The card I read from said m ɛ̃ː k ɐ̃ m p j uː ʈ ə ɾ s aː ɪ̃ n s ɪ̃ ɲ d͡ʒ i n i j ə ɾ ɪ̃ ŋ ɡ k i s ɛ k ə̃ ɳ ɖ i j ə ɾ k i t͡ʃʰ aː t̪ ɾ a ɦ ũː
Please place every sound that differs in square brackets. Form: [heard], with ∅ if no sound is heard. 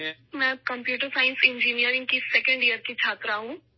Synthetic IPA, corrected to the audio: m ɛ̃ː k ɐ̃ m p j uː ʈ ə ɾ s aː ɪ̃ n s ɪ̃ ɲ d͡ʒ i n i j ə ɾ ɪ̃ ŋ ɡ k i s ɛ k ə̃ ɳ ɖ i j ə ɾ k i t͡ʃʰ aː t̪ ɾ a ɦ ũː